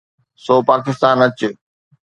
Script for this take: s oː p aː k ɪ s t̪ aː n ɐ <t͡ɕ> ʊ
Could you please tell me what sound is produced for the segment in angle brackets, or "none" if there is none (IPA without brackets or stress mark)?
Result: t͡ɕ